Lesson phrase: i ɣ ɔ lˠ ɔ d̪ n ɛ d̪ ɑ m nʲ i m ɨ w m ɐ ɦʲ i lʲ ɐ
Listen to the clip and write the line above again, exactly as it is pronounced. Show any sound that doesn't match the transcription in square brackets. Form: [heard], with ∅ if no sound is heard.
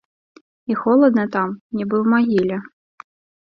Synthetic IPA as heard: i [x] ɔ lˠ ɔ d̪ n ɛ [t̪] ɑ m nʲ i [b] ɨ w m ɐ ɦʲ i lʲ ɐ